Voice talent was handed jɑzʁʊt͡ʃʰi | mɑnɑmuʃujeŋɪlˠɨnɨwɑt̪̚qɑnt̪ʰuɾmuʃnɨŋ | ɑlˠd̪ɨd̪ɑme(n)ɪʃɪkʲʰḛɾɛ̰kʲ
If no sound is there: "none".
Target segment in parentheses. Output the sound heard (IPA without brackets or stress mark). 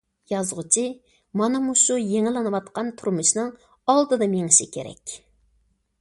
ŋ